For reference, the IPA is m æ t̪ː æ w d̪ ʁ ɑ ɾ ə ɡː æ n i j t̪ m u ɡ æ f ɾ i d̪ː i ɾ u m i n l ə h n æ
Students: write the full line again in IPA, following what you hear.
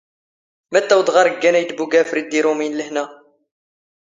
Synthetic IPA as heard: m æ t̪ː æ w d̪ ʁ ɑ ɾ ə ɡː æ n æ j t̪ b u ɡ æ f ɾ i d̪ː i ɾ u m i n l ə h n æ